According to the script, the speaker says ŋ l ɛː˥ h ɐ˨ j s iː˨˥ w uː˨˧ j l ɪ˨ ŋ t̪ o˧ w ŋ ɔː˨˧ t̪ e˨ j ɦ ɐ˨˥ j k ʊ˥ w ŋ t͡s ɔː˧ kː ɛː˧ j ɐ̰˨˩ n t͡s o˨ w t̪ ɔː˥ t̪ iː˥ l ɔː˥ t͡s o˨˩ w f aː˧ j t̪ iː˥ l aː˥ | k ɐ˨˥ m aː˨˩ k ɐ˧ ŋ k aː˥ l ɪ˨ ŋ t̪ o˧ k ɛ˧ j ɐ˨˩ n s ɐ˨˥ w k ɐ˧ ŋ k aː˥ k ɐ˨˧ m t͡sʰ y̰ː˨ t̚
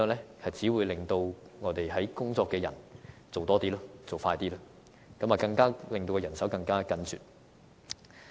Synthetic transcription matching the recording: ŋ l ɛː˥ h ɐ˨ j t͡s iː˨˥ w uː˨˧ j l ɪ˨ ŋ t̪ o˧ w ŋ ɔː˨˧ t̪ e˨ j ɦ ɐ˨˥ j k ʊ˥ ŋ t͡s ɔː˧ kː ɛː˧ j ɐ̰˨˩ n t͡s o˨ w t̪ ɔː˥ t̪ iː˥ l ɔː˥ t͡s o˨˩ w f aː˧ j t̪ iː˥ l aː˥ | k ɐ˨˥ m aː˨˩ k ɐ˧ ŋ k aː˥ l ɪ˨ ŋ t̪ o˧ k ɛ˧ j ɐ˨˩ n s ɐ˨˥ w k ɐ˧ ŋ k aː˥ k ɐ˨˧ n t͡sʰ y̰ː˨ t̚